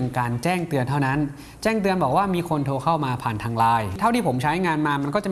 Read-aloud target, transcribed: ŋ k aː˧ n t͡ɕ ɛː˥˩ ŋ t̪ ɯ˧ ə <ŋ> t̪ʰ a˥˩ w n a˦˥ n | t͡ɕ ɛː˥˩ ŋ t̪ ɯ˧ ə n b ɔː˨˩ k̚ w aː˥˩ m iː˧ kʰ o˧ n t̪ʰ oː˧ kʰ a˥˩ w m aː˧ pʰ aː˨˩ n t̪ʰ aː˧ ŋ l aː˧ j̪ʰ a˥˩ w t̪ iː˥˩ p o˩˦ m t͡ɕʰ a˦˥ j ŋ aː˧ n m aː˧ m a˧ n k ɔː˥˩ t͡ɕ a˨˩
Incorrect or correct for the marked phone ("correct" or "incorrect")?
incorrect